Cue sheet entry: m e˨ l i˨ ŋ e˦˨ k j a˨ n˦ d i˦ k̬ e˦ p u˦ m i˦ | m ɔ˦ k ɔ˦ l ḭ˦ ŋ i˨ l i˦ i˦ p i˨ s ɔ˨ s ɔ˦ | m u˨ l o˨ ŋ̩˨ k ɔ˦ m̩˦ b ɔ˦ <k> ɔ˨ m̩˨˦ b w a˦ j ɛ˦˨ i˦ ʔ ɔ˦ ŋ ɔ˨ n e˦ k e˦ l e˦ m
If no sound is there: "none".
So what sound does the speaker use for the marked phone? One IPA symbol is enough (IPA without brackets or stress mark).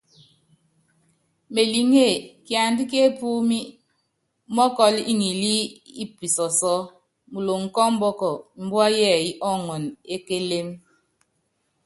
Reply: k